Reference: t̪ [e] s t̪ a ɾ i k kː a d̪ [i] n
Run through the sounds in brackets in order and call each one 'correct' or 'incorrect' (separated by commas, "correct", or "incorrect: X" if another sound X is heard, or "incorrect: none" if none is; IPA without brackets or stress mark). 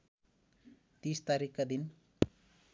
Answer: incorrect: i, correct